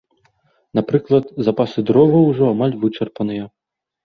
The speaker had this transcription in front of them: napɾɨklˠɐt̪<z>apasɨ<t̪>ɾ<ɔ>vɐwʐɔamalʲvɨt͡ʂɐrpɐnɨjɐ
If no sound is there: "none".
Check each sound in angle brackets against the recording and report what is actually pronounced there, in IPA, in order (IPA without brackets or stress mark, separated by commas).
z, d̪, ɔ